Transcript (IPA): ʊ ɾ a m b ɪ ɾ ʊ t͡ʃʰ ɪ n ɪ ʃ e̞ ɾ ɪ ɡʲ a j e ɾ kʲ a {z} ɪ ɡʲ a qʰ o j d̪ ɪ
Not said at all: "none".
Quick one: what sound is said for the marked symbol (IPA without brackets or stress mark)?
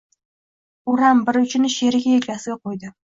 s